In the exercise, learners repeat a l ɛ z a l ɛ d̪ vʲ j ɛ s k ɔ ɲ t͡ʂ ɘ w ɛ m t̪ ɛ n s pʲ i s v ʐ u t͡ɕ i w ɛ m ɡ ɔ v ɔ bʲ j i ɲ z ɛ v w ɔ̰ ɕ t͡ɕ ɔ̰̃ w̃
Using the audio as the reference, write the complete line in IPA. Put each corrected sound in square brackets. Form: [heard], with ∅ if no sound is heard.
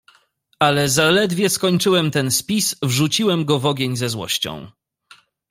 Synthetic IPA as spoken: a l ɛ z a l ɛ d̪ vʲ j ɛ s k ɔ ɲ t͡ʂ ɘ w ɛ m t̪ ɛ n s pʲ i s v ʐ u t͡ɕ i w ɛ m ɡ ɔ v ɔ [ɡʲ] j [e] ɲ z ɛ [z] w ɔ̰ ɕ t͡ɕ ɔ̰̃ w̃